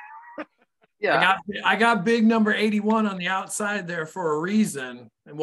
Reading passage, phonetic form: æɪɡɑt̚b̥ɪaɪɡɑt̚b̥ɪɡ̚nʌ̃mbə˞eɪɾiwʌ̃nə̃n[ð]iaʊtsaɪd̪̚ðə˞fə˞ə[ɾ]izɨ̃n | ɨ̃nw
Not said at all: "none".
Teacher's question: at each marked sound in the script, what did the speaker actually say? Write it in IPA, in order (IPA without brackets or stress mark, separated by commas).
ð, ɹ